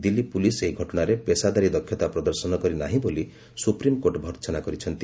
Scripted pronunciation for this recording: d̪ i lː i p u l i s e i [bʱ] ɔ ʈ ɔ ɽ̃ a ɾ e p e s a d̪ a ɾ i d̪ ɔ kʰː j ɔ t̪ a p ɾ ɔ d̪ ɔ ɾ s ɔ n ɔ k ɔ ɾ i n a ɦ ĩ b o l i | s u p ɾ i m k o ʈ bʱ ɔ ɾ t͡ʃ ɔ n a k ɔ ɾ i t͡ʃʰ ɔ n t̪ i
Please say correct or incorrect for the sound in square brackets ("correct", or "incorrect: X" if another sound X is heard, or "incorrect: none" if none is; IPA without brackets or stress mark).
incorrect: ɡʱ